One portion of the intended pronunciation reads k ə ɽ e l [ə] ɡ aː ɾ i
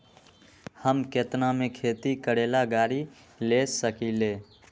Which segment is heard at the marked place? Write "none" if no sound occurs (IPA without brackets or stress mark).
a